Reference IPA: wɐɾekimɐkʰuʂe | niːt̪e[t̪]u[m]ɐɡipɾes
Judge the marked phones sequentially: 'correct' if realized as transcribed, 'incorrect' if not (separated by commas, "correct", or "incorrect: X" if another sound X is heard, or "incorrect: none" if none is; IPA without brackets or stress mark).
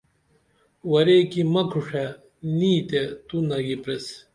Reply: correct, incorrect: n